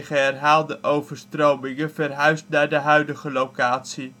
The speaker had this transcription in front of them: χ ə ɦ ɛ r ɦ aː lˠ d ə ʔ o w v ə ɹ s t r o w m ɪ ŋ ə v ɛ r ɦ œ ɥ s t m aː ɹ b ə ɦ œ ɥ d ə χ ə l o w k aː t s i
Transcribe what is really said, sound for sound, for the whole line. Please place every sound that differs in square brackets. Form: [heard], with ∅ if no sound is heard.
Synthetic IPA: χ ə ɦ ɛ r ɦ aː lˠ d ə ʔ o w v ə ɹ s t r o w m ɪ ŋ ə v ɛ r ɦ œ ɥ s t [n] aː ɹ [d] ə ɦ œ ɥ d ə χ ə l o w k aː t s i